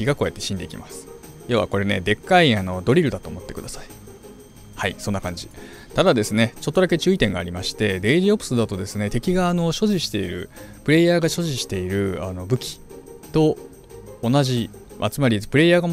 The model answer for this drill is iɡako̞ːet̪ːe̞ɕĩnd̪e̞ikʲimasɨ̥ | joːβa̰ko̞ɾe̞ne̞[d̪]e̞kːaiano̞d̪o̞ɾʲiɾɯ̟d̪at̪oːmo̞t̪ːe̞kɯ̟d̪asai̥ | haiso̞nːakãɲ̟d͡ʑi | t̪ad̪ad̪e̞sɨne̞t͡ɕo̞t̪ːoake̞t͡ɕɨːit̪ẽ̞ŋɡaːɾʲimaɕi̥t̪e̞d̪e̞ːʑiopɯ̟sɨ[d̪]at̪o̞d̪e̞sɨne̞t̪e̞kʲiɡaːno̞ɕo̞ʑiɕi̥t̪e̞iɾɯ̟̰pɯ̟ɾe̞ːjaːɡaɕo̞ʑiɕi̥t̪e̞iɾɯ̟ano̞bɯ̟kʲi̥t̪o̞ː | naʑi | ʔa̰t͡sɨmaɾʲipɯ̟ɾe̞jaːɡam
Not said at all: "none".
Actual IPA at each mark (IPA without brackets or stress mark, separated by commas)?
d̪, d̪